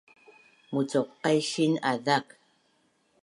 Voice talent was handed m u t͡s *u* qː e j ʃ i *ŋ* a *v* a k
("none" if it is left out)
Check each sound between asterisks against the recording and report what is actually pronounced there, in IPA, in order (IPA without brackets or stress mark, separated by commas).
o, n, ð